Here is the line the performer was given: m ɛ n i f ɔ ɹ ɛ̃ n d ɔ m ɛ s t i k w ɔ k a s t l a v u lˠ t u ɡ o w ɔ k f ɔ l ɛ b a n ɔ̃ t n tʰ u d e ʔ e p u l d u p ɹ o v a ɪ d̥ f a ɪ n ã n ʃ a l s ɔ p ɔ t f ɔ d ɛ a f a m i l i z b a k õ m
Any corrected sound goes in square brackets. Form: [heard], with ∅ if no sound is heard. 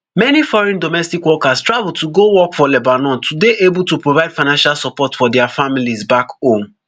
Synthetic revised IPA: m ɛ n i f ɔ ɹ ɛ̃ n d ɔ m ɛ s t i k w ɔ k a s t [ɹ] a v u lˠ t u ɡ o w ɔ k f ɔ l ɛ b a n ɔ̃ [∅] n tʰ u d e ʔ e [b] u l [t] u p ɹ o v a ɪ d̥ f a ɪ n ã n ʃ a l s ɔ p ɔ t f ɔ d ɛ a f a m i l i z b a k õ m